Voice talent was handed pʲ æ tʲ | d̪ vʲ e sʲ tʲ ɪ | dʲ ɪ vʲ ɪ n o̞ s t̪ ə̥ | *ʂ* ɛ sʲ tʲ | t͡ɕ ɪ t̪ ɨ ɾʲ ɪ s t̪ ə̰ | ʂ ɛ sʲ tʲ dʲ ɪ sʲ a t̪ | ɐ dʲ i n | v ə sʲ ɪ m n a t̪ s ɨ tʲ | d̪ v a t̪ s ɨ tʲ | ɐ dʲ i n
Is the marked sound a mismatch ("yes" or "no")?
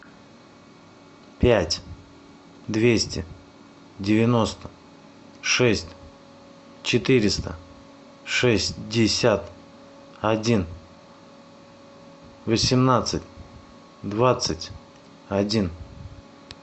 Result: no